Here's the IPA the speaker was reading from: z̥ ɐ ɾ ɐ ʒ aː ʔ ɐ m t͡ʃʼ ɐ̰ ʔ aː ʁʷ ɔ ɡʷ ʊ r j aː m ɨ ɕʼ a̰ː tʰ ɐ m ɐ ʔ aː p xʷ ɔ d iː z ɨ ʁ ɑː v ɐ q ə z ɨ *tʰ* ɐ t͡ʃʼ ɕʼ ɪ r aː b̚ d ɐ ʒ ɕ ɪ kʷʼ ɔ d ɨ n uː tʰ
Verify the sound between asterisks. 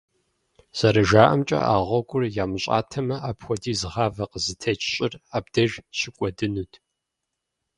correct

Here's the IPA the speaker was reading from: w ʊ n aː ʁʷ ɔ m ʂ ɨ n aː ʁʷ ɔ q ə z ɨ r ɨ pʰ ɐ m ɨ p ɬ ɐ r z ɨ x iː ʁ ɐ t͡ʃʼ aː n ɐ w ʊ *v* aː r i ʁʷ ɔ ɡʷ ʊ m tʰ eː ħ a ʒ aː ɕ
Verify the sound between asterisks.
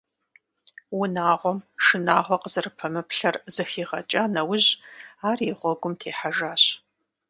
incorrect: ʑ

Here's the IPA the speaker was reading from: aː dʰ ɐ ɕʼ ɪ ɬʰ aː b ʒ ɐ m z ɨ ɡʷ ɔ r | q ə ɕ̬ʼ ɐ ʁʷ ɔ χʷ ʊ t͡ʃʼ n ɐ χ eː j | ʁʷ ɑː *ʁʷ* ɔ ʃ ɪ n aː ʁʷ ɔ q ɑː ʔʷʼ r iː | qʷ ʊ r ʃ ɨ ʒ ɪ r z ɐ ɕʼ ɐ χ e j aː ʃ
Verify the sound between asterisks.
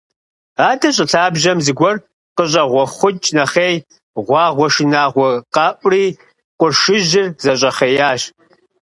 correct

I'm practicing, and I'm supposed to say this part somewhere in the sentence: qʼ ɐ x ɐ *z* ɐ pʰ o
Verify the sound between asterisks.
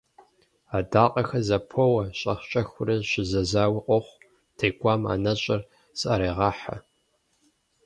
correct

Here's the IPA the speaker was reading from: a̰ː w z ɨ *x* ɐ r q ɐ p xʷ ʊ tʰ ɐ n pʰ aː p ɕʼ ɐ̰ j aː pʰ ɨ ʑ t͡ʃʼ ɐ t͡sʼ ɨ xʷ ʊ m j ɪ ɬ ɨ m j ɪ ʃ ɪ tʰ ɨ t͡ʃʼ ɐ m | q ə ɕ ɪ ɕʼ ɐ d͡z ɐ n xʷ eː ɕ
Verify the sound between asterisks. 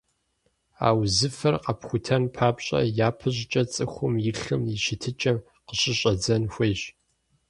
incorrect: f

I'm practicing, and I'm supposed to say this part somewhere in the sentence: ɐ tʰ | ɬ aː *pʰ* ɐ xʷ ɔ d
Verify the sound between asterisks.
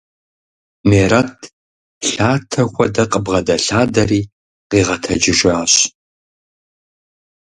incorrect: tʰ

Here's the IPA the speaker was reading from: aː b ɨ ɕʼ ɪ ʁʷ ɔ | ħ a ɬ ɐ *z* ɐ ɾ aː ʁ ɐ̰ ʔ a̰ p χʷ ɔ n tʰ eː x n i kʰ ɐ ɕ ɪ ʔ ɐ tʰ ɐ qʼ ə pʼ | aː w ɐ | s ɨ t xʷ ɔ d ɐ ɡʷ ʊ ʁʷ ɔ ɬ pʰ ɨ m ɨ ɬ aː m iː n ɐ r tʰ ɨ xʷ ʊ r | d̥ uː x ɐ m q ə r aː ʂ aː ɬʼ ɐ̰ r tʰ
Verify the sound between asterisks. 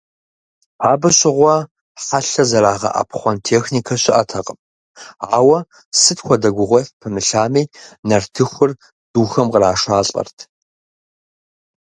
correct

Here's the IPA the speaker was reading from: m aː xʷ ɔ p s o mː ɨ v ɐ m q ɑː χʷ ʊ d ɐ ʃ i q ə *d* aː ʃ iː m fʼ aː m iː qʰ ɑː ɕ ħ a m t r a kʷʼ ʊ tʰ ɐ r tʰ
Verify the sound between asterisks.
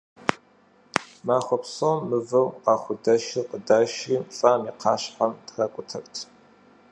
correct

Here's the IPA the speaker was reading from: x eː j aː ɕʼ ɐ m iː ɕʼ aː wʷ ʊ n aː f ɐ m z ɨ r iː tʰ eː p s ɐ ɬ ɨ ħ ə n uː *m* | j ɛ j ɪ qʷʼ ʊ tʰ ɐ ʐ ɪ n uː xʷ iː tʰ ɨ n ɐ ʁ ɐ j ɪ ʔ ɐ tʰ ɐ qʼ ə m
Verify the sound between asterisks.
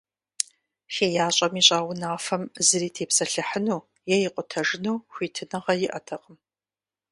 incorrect: none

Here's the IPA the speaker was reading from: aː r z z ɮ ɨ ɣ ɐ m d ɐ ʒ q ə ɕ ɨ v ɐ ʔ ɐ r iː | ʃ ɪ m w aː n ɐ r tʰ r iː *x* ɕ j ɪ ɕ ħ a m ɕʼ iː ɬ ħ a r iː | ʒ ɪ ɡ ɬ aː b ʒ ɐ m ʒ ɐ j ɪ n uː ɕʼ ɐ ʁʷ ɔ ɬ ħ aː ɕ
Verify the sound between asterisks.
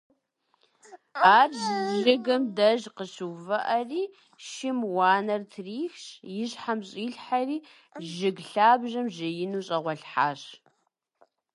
correct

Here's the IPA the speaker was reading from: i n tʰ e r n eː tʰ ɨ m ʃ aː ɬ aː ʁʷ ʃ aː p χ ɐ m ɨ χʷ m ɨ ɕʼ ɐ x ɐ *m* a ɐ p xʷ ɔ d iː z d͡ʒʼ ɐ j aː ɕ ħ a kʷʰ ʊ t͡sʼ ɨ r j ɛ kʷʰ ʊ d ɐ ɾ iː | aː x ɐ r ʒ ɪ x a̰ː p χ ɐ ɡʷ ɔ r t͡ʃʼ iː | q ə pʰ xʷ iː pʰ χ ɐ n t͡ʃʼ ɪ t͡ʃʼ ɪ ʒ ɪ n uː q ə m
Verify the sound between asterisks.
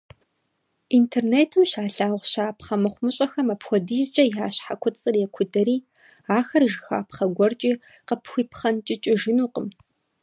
correct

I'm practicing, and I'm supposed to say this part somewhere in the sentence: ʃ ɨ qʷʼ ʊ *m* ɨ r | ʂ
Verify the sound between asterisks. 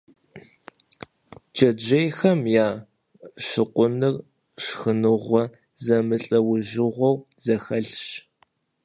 incorrect: n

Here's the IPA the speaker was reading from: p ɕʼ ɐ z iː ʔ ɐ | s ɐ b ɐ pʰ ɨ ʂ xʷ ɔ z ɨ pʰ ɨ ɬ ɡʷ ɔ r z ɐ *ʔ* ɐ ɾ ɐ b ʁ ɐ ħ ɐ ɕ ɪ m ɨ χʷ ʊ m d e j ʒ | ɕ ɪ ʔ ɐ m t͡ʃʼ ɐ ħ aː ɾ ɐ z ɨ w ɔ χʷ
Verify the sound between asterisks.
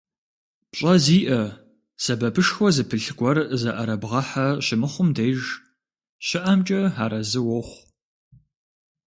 correct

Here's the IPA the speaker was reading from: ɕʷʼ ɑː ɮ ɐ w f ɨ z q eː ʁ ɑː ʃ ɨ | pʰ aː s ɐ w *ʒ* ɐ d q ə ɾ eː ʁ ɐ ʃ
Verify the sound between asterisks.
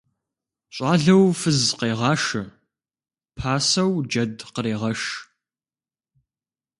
incorrect: d͡ʒ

